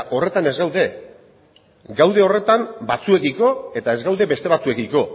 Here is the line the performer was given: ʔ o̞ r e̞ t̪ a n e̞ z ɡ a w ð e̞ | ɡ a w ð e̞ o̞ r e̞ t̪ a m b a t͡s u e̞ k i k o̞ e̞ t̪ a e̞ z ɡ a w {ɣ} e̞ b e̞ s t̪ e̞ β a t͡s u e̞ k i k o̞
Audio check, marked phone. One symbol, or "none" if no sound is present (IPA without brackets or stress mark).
ð